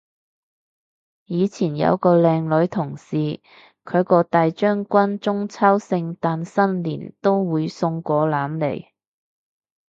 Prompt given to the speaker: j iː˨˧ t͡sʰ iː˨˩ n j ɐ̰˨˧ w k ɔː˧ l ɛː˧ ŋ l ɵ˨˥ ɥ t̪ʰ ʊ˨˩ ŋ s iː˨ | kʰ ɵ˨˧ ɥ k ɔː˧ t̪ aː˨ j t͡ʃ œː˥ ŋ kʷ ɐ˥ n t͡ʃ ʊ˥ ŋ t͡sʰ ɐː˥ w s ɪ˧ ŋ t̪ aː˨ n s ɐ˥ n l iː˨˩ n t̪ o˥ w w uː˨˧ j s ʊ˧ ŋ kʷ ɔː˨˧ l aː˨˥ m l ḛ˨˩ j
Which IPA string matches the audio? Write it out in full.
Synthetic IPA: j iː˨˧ t͡sʰ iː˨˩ n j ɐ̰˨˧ w k ɔː˧ l ɛː˧ ŋ l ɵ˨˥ ɥ t̪ʰ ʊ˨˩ ŋ s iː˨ | kʰ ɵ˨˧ ɥ k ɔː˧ t̪ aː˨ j t͡ʃ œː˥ ŋ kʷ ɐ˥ n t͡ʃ ʊ˥ ŋ t͡sʰ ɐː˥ w s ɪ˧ ŋ t̪ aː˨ n s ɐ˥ n l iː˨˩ n t̪ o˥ w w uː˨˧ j s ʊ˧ ŋ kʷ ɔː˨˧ l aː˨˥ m l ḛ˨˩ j